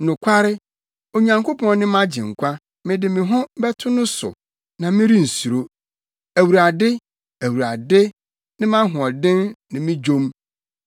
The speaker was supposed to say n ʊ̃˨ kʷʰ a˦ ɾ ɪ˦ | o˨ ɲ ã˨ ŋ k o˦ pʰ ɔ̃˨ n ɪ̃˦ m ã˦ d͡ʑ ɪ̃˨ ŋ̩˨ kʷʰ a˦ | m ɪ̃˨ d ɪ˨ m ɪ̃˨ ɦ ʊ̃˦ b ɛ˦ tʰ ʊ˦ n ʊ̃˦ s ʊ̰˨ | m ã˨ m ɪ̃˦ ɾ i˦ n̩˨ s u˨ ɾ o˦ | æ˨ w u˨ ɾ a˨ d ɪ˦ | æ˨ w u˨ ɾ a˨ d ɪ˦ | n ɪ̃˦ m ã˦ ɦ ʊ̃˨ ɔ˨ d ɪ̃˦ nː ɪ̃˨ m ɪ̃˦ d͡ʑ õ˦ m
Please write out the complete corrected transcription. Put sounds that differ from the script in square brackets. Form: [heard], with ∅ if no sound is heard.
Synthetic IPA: n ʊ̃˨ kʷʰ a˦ ɾ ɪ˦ | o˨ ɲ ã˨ ŋ k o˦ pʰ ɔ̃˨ n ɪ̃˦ m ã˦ d͡ʑ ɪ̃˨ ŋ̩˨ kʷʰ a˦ | m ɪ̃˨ d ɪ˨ m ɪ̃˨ ɦ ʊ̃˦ b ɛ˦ tʰ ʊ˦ n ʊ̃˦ s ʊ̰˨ | [n] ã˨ m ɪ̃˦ ɾ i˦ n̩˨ s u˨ ɾ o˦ | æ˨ w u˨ ɾ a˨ d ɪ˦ | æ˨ w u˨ ɾ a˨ d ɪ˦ | n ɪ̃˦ m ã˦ ɦ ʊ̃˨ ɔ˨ d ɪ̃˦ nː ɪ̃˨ m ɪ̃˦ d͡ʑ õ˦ m